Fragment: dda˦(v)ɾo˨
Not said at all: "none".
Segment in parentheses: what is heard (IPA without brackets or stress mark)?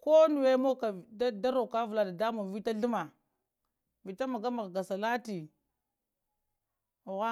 none